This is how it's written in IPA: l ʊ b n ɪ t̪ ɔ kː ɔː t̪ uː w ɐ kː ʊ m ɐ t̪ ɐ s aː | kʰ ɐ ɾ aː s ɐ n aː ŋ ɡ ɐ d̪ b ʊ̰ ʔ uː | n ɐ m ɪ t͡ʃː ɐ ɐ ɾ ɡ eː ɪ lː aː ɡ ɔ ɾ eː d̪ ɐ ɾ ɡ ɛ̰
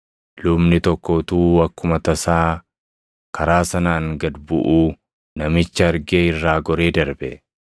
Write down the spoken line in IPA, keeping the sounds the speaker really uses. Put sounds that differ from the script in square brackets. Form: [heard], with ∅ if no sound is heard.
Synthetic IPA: l ʊ b n ɪ t̪ ɔ kː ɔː t̪ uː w ɐ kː ʊ m ɐ t̪ ɐ s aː | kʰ ɐ ɾ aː s ɐ n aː ŋ ɡ ɐ d̪ b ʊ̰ ʔ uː | n ɐ m ɪ t͡ʃː ɐ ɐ ɾ ɡ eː ɪ [rː] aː ɡ ɔ ɾ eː d̪ ɐ ɾ [b] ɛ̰

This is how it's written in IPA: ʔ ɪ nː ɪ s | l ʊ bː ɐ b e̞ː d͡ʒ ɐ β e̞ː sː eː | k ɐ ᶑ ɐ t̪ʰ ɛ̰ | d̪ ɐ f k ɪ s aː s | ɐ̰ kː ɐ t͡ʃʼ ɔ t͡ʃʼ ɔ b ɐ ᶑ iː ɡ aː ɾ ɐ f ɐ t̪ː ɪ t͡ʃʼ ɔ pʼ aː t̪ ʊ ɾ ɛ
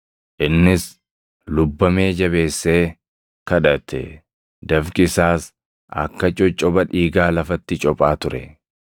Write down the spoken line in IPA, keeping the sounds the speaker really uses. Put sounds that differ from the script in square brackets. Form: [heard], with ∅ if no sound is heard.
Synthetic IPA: ʔ ɪ nː ɪ s | l ʊ bː ɐ [m] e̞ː d͡ʒ ɐ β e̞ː sː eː | k ɐ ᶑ ɐ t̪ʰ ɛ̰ | d̪ ɐ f k ɪ s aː s | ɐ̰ kː ɐ t͡ʃʼ ɔ t͡ʃʼ ɔ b ɐ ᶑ iː ɡ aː [l] ɐ f ɐ t̪ː ɪ t͡ʃʼ ɔ pʼ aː t̪ ʊ ɾ ɛ

